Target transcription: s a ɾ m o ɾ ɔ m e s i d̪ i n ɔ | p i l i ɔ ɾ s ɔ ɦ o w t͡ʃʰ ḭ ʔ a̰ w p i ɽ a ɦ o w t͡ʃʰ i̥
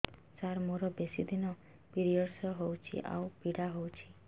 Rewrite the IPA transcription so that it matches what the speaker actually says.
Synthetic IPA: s a ɾ m o ɾ ɔ b e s i d̪ i n ɔ | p i ɾ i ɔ ɾ s ɔ ɦ o w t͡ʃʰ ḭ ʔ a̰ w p i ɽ a ɦ o w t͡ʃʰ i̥